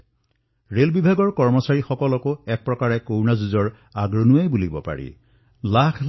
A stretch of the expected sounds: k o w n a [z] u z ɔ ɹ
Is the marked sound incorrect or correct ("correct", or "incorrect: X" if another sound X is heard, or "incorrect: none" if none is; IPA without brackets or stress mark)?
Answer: correct